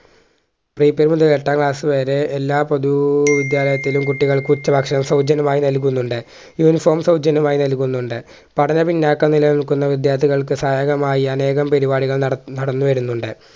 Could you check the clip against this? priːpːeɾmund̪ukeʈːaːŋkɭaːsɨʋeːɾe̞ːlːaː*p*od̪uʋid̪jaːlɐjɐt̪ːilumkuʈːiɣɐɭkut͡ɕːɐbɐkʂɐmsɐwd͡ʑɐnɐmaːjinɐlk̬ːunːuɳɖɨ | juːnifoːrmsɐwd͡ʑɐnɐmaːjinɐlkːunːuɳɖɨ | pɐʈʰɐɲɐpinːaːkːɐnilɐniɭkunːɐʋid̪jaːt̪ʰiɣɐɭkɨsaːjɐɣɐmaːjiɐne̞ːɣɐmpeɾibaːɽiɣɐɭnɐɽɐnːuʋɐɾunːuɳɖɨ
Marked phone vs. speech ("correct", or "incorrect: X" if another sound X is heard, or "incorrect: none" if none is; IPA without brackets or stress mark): correct